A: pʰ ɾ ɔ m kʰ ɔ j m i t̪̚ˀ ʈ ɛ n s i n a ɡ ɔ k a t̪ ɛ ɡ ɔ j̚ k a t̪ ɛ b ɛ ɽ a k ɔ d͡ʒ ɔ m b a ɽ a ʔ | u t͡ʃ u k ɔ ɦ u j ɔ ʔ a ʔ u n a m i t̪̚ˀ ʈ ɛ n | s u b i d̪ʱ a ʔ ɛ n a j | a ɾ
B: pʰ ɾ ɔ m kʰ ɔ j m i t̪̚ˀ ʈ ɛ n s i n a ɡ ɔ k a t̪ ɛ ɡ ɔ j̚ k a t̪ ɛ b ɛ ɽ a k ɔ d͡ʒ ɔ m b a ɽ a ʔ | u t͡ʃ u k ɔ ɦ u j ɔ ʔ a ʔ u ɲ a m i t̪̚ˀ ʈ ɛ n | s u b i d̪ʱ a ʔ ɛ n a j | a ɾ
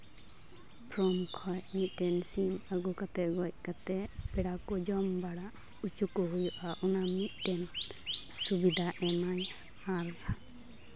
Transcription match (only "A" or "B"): A